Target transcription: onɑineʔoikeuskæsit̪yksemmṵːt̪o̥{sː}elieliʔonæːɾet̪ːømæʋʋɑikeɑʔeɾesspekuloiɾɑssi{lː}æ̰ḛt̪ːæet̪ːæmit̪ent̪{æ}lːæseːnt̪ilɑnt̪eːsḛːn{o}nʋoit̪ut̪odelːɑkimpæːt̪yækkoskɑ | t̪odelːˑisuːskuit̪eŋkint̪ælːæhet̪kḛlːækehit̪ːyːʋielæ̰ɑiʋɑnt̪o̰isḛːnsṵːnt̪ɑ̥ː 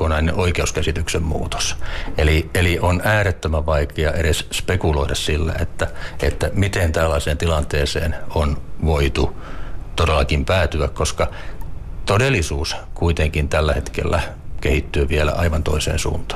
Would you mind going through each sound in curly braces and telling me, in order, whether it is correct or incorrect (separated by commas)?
incorrect, correct, correct, correct